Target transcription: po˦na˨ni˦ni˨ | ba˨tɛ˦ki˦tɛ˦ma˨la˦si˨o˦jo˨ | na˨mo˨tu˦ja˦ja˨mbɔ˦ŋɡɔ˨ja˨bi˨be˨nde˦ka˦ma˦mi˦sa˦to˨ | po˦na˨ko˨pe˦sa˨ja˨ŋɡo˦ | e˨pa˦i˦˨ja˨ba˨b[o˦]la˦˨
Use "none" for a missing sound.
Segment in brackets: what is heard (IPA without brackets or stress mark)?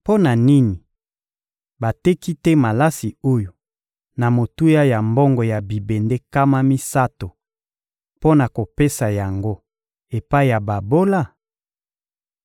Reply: o˦